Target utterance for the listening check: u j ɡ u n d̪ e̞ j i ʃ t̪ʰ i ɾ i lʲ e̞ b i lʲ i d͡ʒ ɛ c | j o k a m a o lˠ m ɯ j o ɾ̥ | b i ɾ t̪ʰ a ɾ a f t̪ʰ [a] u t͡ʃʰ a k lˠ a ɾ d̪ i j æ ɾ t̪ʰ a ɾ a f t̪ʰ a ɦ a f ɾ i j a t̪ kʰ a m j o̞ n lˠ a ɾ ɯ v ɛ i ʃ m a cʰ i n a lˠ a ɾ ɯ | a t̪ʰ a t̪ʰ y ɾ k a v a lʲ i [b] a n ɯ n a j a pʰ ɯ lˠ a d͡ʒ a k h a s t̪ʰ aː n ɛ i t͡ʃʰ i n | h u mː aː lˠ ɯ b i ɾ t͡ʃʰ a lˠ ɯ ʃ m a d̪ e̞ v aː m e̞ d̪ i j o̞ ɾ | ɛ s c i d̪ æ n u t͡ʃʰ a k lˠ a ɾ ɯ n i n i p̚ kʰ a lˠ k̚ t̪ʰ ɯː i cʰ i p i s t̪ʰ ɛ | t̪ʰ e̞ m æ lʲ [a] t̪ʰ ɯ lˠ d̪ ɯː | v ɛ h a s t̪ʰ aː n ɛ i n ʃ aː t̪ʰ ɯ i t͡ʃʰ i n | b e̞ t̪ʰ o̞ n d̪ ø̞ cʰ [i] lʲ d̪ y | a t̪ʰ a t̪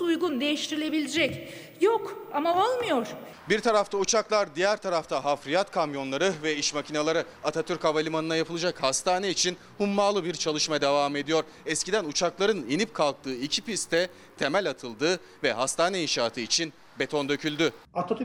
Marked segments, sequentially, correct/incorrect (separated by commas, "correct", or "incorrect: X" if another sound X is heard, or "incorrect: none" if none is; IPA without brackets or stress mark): correct, incorrect: m, correct, incorrect: y